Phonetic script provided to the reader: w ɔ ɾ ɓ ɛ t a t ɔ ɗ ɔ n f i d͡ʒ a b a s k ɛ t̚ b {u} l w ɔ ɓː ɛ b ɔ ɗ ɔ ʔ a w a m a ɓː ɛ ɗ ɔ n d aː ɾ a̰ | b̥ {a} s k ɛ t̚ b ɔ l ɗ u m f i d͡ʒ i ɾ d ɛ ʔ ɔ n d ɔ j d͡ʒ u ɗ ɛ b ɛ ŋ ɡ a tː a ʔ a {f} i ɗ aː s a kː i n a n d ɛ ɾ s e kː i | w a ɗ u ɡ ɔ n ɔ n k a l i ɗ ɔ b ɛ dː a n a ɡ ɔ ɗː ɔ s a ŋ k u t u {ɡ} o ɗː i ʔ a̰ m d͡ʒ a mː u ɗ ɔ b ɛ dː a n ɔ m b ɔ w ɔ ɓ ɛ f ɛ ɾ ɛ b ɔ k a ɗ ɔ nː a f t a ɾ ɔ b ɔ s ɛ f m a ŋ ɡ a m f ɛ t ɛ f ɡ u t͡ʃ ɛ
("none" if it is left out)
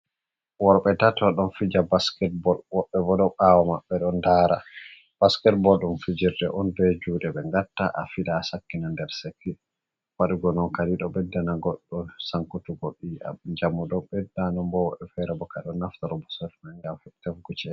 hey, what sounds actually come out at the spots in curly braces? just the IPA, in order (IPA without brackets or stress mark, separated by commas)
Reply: ɔ, a, f, ɡ